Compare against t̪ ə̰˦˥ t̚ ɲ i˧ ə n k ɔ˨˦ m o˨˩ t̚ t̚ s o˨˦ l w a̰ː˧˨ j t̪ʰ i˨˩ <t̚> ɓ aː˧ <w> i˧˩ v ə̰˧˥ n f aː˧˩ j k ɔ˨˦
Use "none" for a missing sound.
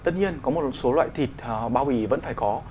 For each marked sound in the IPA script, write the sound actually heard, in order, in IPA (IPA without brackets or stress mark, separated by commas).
t̚, w